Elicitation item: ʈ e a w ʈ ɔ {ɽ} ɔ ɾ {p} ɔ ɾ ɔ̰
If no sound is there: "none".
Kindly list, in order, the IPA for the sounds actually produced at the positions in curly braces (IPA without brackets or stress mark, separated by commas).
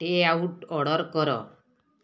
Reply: ɽ, k